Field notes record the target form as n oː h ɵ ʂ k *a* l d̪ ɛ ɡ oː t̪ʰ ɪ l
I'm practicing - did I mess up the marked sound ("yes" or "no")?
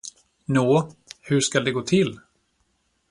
no